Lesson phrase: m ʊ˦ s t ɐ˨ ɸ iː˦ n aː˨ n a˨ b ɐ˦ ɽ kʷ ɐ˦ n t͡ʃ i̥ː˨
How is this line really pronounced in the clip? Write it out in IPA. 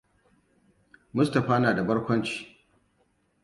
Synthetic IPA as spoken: m ʊ˦ s t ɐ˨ ɸ aː˦ n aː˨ d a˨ b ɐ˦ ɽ kʷ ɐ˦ n t͡ʃ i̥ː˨